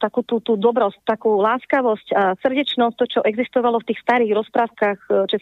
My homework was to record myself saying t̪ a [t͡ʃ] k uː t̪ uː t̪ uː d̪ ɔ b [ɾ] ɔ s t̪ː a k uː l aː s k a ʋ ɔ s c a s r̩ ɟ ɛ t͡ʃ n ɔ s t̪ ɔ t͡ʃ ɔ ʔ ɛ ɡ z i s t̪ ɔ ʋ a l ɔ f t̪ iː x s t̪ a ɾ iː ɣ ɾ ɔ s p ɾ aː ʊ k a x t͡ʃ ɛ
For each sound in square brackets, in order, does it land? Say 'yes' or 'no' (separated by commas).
no, yes